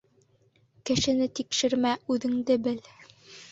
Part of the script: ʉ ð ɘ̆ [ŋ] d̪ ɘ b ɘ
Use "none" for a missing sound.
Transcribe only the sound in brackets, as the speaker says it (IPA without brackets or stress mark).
ŋ